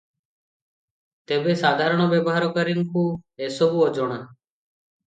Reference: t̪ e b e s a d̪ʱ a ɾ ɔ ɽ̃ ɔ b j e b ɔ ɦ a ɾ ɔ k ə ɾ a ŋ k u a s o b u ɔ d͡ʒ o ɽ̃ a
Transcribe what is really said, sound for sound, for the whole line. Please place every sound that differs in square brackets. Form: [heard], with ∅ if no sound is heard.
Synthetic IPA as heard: t̪ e b e s a d̪ʱ a ɾ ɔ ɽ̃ ɔ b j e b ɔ ɦ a ɾ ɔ k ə ɾ [i] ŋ k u [e] s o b u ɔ d͡ʒ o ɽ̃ a